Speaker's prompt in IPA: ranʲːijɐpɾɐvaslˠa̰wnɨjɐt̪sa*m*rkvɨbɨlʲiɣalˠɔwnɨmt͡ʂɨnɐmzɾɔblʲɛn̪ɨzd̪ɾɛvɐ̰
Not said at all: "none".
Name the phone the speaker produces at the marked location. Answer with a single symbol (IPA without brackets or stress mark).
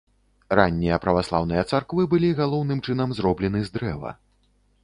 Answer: none